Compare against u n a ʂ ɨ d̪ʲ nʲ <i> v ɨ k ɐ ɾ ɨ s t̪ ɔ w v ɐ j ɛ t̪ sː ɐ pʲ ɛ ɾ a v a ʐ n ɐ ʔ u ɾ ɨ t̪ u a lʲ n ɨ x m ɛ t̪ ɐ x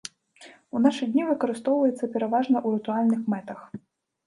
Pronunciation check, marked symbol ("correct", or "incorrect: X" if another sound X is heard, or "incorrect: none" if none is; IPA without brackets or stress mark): correct